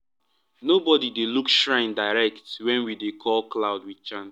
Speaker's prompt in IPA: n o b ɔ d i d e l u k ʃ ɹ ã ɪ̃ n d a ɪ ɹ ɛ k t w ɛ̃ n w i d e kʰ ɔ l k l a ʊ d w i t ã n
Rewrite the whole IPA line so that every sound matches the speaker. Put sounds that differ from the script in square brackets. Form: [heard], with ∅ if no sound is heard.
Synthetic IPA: n o b ɔ d i d e l u k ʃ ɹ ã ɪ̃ n d a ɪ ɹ ɛ k t w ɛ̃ n w i d e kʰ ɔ l k l a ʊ d w i [t͡ʃ] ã n